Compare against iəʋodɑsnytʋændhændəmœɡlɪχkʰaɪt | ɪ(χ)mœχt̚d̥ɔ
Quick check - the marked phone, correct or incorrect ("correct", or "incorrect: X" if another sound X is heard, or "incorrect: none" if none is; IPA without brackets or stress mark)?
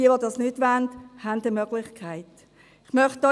correct